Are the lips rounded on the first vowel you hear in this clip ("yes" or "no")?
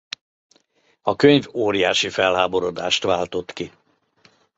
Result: yes